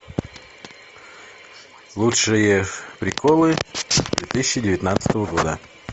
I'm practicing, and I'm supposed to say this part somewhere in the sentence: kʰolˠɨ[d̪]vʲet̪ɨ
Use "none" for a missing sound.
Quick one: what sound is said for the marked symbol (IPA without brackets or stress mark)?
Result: d̪